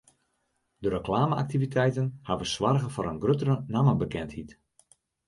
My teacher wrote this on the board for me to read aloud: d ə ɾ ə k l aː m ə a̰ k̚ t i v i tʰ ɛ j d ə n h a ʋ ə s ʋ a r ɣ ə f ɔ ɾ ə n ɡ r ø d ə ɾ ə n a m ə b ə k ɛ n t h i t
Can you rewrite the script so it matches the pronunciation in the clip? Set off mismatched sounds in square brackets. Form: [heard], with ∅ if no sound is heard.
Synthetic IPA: d ə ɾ ə k l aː m ə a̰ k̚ t i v i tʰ ɛ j [t] ə n h a ʋ ə s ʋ a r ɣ ə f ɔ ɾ ə n ɡ r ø [t] ə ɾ ə n a m ə b ə k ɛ n t h i t